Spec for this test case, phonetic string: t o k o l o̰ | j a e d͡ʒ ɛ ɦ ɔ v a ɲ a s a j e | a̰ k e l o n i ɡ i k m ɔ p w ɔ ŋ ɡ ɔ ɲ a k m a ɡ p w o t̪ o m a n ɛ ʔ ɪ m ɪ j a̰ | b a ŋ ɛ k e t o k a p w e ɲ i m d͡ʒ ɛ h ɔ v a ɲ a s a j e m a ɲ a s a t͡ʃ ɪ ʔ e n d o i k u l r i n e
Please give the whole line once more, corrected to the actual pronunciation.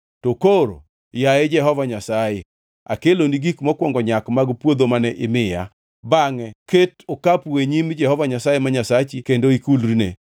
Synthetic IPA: t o k o ɾ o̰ | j a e d͡ʒ ɛ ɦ ɔ v a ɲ a s a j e | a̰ k e l o n i ɡ i k m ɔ k w ɔ ŋ ɡ ɔ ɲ a k m a ɡ p w o d̪ o m a n ɛ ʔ ɪ m ɪ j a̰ | b a ŋ ɛ k e t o k a p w e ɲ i m d͡ʒ ɛ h ɔ v a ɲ a s a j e m a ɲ a s a t͡ʃ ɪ k e n d o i k u l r i n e